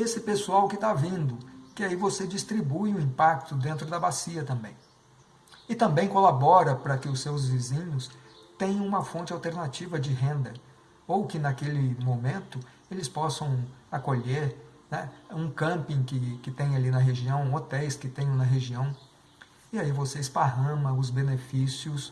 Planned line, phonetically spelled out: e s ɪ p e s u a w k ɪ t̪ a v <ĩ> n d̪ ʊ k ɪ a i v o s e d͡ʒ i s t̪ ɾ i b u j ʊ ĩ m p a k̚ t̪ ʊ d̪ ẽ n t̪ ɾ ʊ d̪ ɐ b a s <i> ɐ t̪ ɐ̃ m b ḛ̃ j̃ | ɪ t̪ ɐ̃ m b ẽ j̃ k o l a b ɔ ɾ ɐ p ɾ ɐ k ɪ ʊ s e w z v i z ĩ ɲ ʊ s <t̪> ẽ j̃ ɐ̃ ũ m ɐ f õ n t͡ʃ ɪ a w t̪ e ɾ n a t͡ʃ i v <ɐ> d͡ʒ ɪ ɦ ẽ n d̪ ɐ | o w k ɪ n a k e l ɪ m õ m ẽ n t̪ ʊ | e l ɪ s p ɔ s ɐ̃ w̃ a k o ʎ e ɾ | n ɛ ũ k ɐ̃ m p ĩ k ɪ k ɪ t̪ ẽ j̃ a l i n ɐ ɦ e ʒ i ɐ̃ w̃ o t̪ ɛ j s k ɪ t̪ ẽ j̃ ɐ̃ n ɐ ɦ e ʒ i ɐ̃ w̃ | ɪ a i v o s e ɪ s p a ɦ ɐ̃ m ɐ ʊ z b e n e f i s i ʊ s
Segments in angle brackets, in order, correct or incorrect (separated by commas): correct, correct, correct, correct